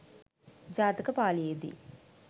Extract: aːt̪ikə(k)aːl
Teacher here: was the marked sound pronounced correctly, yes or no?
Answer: no